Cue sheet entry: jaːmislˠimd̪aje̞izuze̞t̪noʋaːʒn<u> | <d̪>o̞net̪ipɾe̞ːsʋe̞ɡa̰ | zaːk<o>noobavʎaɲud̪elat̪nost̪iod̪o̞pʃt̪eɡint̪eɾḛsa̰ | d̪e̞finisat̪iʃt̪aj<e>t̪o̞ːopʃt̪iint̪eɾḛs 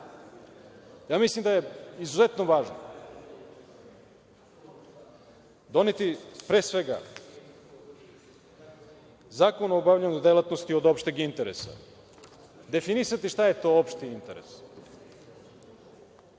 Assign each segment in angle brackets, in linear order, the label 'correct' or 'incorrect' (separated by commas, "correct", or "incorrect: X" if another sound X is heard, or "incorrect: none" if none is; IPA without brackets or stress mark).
incorrect: o, correct, correct, correct